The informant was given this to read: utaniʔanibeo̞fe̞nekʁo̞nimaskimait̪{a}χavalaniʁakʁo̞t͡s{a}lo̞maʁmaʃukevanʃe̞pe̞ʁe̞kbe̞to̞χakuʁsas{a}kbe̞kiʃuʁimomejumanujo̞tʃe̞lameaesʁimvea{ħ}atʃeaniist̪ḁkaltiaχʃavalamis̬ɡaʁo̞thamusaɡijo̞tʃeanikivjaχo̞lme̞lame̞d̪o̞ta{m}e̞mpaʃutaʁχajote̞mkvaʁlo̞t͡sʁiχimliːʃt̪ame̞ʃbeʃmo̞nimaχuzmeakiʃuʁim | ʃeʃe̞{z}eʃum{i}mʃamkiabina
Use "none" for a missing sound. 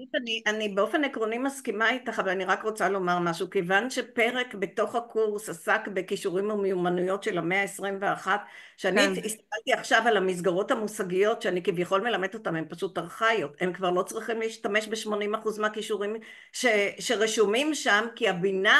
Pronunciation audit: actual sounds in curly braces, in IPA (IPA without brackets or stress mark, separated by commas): a, a, a, χ, m, ʁ, i